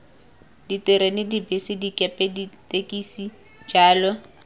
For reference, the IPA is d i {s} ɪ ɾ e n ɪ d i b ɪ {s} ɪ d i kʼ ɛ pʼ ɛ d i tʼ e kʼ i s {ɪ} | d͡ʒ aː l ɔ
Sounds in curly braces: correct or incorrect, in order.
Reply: incorrect, correct, incorrect

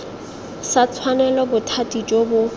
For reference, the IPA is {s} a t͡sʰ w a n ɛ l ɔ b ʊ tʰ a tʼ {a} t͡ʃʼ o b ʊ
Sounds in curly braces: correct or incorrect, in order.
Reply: correct, incorrect

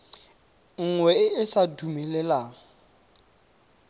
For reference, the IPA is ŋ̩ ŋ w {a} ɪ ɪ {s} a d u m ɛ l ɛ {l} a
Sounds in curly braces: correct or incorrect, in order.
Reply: incorrect, correct, correct

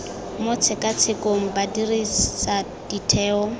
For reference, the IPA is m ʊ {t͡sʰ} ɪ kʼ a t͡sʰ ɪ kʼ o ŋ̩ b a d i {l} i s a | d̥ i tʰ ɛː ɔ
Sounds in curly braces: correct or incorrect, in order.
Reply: correct, incorrect

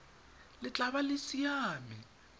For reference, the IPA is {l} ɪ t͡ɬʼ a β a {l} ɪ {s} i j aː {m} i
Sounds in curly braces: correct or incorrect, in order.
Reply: correct, correct, correct, correct

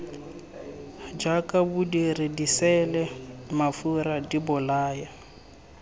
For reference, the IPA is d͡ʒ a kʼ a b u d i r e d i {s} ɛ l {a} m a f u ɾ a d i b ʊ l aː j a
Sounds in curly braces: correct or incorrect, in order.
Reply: correct, incorrect

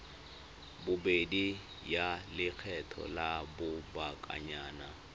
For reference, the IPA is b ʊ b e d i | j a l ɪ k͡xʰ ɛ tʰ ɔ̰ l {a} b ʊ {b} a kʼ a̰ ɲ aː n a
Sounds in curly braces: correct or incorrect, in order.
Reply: correct, correct

